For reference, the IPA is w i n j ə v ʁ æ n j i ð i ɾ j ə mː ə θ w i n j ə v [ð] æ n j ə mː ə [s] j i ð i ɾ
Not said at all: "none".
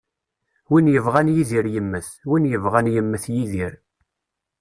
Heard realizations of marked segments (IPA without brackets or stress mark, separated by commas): ʁ, θ